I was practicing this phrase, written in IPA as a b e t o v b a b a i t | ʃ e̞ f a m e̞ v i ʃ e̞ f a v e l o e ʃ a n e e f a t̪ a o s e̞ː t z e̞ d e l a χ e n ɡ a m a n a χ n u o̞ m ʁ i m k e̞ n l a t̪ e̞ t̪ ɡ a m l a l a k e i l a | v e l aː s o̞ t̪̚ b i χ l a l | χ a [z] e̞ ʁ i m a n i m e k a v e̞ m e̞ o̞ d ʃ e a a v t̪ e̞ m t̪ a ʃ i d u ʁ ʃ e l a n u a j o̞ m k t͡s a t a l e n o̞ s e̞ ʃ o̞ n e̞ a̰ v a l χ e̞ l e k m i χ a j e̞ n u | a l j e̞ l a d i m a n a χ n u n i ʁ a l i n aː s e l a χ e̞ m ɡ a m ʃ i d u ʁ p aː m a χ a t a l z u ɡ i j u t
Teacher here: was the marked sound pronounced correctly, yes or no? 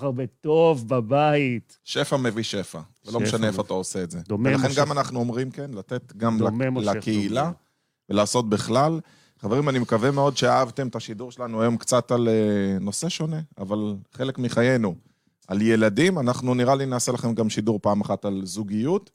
no